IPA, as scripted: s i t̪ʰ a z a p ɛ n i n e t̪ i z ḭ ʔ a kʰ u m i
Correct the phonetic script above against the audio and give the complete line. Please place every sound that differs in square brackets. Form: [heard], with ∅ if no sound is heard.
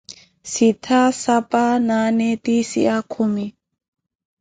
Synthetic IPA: s i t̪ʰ a [s] a p [a] n [a] n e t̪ i [s] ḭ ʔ a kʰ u m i